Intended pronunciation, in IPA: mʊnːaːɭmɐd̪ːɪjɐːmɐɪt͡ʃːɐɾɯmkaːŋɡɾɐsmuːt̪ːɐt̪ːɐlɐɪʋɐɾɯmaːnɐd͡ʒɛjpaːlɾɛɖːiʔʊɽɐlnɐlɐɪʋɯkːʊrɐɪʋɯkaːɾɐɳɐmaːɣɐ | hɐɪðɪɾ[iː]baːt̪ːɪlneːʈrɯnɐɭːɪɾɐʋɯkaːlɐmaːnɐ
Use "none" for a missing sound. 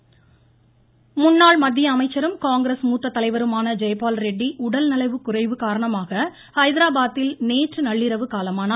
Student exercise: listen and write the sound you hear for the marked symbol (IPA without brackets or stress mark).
aː